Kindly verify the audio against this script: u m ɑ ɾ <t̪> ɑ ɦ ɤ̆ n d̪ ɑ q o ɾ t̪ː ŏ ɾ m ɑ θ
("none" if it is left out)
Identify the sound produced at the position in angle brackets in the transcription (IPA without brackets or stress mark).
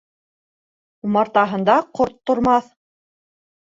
t̪